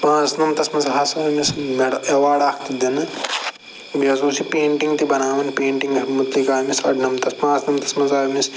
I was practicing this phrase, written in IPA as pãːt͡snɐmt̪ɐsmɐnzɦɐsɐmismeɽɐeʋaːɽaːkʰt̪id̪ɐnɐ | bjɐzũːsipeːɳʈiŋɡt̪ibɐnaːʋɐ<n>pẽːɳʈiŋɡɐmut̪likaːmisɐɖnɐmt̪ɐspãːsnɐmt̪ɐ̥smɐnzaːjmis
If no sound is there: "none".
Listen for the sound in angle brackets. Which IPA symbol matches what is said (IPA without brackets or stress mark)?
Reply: n